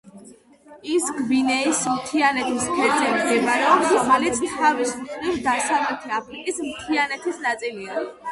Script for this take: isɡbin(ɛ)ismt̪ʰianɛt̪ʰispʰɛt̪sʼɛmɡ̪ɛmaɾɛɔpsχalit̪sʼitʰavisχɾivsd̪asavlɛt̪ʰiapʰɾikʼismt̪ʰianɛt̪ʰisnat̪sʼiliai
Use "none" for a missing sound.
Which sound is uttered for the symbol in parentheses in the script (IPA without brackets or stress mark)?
ɛ